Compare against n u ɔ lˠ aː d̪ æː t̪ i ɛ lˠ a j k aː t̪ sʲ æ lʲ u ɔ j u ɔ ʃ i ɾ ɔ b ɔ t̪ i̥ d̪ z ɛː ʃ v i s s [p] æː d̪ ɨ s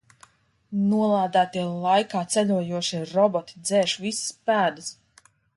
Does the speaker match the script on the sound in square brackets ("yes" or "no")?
yes